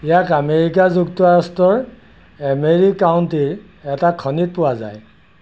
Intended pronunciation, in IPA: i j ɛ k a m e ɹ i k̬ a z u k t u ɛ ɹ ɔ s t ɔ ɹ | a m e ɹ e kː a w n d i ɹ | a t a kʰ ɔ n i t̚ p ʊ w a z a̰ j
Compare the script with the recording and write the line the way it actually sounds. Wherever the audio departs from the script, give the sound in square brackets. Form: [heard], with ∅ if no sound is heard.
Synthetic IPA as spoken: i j [a] k a m e ɹ i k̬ a z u k t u [a] ɹ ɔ s t ɔ ɹ | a m e ɹ [i] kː a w n [t] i ɹ | [ɛ] t a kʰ ɔ n i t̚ p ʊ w a z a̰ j

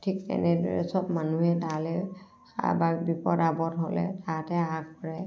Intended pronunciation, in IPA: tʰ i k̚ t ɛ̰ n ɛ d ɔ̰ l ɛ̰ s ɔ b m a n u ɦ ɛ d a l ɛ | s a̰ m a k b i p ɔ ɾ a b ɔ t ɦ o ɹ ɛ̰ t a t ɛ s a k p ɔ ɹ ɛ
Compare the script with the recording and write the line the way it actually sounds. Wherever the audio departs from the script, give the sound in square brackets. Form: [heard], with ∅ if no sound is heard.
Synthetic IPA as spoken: tʰ i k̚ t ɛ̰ n ɛ d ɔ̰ [ɹ] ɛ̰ s ɔ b m a n u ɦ ɛ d a l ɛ | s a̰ [b] a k b i p ɔ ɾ a b ɔ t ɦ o [l] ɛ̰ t a t ɛ [∅] a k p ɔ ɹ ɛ

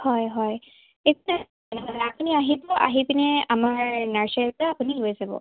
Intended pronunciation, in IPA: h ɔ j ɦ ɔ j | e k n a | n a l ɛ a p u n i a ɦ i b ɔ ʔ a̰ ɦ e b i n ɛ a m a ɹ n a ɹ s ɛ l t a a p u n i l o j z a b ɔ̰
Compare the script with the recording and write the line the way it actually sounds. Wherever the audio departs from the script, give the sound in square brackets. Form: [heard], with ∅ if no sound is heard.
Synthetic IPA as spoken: h ɔ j ɦ ɔ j | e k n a | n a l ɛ a p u n i a ɦ i b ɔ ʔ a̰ ɦ [i] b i n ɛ a m a ɹ n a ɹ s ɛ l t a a p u n i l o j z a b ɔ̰

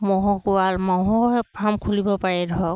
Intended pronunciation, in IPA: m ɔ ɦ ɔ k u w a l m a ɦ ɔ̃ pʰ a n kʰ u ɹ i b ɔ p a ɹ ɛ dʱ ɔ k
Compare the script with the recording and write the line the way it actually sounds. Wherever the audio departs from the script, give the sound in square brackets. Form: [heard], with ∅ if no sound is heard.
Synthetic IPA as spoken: m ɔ ɦ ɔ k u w a l m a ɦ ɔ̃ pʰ a [m] kʰ u [l] i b ɔ p a ɹ ɛ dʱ ɔ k

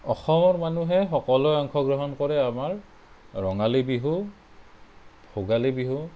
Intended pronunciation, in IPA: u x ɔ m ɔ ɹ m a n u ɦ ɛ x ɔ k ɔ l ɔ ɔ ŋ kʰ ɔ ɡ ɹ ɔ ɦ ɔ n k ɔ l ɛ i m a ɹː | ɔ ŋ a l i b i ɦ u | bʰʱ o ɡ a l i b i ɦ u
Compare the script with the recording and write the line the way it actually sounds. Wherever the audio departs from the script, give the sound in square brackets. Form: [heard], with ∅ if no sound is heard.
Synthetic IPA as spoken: [ɔ] x ɔ m ɔ ɹ m a n u ɦ ɛ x ɔ k ɔ l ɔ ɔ ŋ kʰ ɔ ɡ ɹ ɔ ɦ ɔ n k ɔ [ɹ] ɛ [a] m a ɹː | ɔ ŋ a l i b i ɦ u | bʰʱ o ɡ a l i b i ɦ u

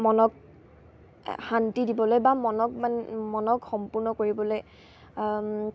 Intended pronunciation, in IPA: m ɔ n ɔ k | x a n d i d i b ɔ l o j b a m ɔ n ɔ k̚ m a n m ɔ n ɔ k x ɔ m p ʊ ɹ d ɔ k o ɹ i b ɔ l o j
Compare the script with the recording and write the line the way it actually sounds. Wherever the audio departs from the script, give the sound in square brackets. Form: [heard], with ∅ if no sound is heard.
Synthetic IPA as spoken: m ɔ n ɔ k | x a n [t] i d i b ɔ l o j b a m ɔ n ɔ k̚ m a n m ɔ n ɔ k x ɔ m p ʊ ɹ [n] ɔ k o ɹ i b ɔ l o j

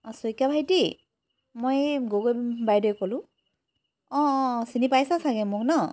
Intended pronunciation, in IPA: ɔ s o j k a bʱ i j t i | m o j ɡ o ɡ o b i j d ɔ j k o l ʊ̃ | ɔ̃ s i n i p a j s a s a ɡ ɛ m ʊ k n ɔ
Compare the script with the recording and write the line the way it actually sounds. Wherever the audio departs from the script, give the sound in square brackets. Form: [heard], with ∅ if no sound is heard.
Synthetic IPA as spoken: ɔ s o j k a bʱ [a] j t i | m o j ɡ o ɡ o b [a] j d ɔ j k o l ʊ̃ | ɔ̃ s i n i p a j s a s a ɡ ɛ m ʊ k n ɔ

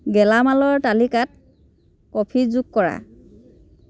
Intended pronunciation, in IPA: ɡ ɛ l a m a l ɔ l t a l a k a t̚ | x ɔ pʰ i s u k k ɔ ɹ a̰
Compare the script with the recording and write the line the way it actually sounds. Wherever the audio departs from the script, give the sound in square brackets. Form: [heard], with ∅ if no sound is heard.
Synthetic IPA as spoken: ɡ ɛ l a m a l ɔ [ɹ] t a l [i] k a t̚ | [k] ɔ pʰ i [z] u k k ɔ ɹ a̰

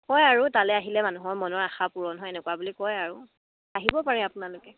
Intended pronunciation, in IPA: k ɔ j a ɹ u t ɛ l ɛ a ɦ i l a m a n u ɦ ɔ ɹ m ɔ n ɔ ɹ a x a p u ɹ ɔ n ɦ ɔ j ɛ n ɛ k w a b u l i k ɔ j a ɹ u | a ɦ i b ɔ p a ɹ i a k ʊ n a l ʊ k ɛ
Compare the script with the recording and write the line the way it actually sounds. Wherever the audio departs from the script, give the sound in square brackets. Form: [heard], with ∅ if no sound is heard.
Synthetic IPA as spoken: k ɔ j a ɹ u t [a] l ɛ a ɦ i l [ɛ] m a n u ɦ ɔ ɹ m ɔ n ɔ ɹ a x a p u ɹ ɔ n ɦ ɔ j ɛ n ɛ k w a b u l i k ɔ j a ɹ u | a ɦ i b ɔ p a ɹ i a [p] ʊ n a l ʊ k ɛ

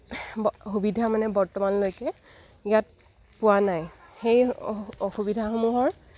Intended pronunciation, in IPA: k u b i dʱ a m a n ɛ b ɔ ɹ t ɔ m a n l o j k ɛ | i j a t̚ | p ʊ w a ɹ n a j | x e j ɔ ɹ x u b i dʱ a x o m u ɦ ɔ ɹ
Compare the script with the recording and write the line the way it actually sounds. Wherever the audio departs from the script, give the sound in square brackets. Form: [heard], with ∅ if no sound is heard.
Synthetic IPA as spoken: [x] u b i dʱ a m a n ɛ b ɔ ɹ t ɔ m a n l o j k ɛ | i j a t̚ | p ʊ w a [∅] n a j | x e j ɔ [∅] x u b i dʱ a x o m u ɦ ɔ ɹ

